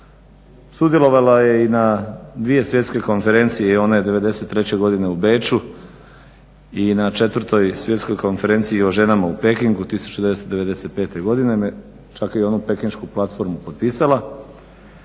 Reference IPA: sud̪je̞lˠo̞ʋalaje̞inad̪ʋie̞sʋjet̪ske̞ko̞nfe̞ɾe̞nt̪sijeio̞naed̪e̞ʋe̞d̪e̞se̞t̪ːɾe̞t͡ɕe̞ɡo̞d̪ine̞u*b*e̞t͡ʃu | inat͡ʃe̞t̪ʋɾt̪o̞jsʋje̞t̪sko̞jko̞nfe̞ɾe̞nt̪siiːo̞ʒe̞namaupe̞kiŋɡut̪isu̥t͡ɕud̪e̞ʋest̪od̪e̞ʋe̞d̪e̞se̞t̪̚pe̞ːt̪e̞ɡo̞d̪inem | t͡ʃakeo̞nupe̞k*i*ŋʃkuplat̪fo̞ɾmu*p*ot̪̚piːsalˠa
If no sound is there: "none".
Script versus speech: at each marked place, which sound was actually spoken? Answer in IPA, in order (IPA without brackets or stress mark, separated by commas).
b, i, p